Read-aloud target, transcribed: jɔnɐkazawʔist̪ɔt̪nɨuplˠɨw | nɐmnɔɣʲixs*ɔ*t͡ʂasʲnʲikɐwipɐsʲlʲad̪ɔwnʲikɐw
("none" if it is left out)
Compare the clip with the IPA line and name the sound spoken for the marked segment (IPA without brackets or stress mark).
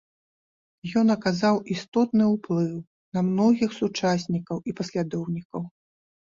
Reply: u